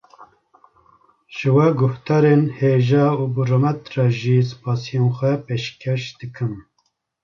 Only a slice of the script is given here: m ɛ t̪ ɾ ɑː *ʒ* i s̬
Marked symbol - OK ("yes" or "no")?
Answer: yes